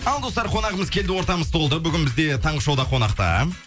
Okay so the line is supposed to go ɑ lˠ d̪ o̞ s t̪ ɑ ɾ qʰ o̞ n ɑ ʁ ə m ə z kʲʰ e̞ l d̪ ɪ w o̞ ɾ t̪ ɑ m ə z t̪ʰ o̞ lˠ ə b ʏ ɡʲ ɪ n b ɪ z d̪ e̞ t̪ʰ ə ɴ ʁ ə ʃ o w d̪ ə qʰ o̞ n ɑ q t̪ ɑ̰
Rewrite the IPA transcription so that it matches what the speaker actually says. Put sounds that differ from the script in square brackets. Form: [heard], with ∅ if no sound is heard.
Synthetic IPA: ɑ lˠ d̪ o̞ s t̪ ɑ ɾ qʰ o̞ n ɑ ʁ ə m ə z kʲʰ e̞ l d̪ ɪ w o̞ ɾ t̪ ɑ m ə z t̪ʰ o̞ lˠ ə b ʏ ɡʲ ɪ n b ɪ z d̪ e̞ t̪ʰ [ɑ] ɴ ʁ ə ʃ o w d̪ [ɑ] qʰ o̞ n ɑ q t̪ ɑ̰